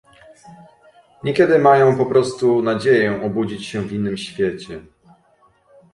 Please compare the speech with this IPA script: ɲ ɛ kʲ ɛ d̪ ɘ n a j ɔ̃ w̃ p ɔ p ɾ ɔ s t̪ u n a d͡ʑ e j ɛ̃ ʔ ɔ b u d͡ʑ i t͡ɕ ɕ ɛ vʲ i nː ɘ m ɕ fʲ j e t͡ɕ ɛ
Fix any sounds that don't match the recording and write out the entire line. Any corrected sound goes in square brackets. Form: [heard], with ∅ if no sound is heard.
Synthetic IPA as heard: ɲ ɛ kʲ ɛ d̪ ɘ [m] a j ɔ̃ w̃ p ɔ p ɾ ɔ s t̪ u n a d͡ʑ e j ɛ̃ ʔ ɔ b u d͡ʑ i t͡ɕ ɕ ɛ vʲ i nː ɘ m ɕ fʲ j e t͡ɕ ɛ